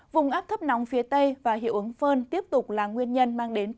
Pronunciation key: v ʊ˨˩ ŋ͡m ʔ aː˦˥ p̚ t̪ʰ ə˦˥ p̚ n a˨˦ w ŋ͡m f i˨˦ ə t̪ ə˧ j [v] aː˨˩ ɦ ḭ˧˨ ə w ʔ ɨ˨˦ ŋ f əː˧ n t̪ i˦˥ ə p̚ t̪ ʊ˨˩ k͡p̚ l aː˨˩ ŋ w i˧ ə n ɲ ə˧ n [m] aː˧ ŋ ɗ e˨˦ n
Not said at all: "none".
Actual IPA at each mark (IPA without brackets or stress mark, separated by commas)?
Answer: v, m